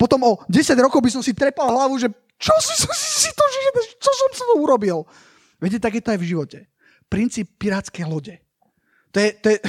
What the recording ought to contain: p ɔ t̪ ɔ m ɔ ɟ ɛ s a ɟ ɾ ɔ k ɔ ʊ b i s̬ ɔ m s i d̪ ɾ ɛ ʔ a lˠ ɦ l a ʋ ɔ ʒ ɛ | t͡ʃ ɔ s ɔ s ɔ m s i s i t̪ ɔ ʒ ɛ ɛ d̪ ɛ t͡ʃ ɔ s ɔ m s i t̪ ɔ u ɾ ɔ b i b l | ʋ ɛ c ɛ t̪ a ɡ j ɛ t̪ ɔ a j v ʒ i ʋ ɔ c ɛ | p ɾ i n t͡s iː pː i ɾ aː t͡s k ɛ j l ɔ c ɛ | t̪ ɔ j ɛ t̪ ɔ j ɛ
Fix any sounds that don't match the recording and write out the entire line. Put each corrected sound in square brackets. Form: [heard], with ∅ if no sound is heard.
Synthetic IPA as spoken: p ɔ t̪ ɔ m ɔ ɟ ɛ s a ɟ ɾ ɔ k ɔ ʊ b i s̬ ɔ m s i [t̪] ɾ ɛ [p] a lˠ ɦ l a ʋ [u] ʒ ɛ | t͡ʃ ɔ s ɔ s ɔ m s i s i t̪ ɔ ʒ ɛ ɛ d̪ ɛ t͡ʃ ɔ s ɔ m s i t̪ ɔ u ɾ ɔ b i [∅] l | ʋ ɛ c ɛ t̪ a ɡ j ɛ t̪ ɔ a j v ʒ i ʋ ɔ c ɛ | p ɾ i n t͡s iː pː i ɾ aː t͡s k ɛ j l ɔ [ɟ] ɛ | t̪ ɔ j ɛ t̪ ɔ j ɛ